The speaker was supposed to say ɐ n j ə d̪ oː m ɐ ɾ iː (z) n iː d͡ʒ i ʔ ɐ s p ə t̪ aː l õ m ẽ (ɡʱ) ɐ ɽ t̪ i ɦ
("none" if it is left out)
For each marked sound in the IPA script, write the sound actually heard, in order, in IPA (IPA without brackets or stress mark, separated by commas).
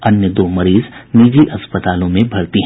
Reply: z, bʱ